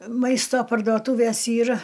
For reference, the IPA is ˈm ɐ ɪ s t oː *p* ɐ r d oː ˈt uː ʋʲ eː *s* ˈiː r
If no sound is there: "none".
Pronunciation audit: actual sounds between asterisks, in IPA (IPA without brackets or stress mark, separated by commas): p, s